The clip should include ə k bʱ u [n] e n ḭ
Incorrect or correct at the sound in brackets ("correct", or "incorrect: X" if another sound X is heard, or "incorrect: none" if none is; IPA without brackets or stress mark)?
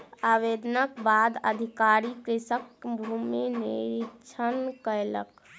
incorrect: m